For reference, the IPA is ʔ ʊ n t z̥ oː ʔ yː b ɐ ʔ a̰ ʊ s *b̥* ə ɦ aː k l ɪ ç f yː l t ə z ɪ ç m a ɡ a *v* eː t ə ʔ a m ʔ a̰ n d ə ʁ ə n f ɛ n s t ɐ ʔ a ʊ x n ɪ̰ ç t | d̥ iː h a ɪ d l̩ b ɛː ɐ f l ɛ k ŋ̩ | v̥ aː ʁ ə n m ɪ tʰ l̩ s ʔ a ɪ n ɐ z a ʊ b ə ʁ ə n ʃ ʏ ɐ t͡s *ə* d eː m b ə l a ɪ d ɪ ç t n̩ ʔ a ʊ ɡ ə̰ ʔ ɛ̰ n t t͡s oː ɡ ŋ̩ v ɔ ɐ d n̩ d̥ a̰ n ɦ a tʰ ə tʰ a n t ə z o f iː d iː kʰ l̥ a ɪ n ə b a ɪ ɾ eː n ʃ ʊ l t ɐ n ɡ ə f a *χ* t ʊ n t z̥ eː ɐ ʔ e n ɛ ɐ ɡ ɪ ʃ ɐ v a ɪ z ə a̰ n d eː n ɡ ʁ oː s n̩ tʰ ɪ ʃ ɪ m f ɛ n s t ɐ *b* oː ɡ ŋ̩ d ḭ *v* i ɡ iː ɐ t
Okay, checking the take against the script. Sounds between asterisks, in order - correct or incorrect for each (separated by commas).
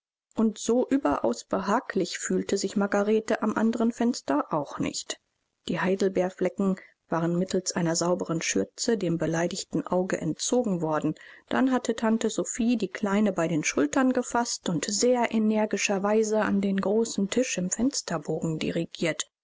correct, incorrect, correct, incorrect, correct, incorrect